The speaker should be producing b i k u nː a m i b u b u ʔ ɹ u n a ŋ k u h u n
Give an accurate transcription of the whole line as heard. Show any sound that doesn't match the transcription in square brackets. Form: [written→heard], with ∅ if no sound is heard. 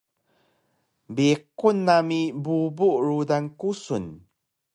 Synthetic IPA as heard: b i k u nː a m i b u b u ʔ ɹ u [n→d] a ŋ k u [h→s] u n